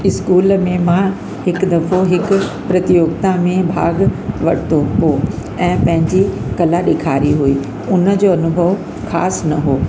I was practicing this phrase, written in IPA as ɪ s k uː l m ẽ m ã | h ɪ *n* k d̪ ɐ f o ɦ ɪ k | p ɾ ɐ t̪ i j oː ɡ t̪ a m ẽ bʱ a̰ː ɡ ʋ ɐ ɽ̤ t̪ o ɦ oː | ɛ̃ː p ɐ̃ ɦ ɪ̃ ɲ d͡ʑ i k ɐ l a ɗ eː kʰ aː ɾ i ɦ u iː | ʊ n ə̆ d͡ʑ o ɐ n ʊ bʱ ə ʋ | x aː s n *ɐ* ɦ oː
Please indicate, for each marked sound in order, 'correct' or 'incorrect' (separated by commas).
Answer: incorrect, correct